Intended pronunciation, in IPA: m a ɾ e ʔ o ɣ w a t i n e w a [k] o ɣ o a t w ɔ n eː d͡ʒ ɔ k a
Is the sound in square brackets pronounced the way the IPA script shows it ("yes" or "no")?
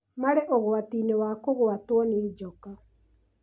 yes